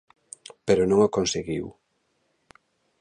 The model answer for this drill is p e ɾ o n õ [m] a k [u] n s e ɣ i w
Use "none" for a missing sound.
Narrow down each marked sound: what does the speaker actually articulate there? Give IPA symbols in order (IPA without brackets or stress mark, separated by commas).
ŋ, o